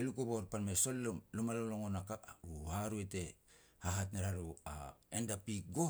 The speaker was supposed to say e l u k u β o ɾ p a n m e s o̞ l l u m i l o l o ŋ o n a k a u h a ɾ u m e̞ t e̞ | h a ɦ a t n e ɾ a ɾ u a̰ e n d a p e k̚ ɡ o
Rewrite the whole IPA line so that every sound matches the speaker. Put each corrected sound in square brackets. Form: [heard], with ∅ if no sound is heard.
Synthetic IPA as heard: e l u k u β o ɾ p a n m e s o̞ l l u m [a] l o l o ŋ o n a k a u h a ɾ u [∅] e̞ t e̞ | h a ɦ a t n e ɾ a ɾ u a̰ e n d a p [i] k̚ ɡ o